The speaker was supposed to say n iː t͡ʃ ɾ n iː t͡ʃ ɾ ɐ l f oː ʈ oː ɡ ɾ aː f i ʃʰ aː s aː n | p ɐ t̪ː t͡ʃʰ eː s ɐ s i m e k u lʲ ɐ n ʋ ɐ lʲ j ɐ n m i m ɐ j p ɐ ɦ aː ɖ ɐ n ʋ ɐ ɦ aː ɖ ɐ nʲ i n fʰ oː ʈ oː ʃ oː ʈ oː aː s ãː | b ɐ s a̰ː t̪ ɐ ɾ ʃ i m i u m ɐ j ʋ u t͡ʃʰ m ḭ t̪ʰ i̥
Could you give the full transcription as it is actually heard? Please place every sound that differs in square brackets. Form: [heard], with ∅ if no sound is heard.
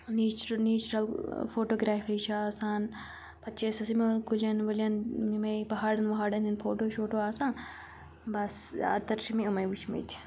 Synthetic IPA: n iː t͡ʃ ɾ n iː t͡ʃ ɾ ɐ l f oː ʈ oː ɡ ɾ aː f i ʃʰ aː s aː n | p ɐ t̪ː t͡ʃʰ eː s ɐ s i m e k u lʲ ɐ n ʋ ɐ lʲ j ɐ n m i m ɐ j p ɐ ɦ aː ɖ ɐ n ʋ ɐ ɦ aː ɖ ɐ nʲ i n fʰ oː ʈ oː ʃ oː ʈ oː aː s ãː | b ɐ s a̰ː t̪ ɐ ɾ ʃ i m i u m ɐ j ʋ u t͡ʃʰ m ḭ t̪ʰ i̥